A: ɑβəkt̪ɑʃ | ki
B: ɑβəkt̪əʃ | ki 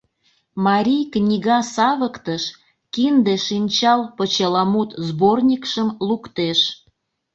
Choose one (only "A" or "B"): B